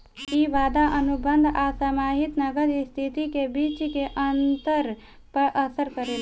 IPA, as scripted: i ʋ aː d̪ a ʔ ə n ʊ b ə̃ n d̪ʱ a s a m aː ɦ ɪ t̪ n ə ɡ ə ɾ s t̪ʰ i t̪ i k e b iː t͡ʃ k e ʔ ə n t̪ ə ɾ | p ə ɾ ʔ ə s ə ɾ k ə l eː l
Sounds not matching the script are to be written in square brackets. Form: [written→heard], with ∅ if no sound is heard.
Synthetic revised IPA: i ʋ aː d̪ a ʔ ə n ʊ b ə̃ n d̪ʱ a s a m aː ɦ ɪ t̪ n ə ɡ ə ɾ s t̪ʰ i t̪ i k e b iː t͡ʃ k e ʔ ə n t̪ ə ɾ | p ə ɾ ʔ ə s ə ɾ k ə [l→ɾ] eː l